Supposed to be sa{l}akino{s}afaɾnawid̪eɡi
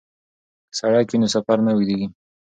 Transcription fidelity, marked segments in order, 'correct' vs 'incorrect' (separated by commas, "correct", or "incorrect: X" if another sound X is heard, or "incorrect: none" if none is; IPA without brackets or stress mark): incorrect: ɽ, correct